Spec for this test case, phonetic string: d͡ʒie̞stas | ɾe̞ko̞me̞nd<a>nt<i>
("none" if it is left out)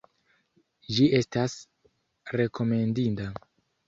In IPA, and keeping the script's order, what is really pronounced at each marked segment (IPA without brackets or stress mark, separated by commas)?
i, a